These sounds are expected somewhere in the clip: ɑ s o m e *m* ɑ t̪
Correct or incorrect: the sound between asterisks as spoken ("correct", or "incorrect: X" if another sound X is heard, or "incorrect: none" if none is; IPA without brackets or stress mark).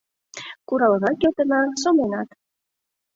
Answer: incorrect: n